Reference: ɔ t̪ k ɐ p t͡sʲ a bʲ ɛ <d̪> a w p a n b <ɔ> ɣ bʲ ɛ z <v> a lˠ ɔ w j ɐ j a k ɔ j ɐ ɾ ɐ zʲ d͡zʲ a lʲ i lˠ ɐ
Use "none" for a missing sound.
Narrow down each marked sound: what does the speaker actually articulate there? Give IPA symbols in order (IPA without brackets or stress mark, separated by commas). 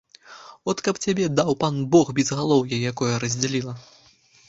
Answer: d̪, ɔ, ɣ